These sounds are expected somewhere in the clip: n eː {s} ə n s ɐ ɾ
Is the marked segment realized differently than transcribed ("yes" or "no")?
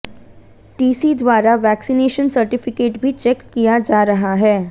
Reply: yes